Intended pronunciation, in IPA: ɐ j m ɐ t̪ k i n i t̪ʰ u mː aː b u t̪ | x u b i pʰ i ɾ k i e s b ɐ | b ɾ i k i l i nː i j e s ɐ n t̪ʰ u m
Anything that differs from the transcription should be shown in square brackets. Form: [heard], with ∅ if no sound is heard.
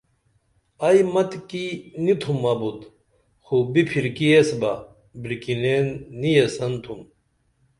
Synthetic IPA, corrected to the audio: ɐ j m ɐ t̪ k i n i t̪ʰ u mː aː b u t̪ | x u b i pʰ i ɾ k i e s b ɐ | b ɾ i k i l [e] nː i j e s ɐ n t̪ʰ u m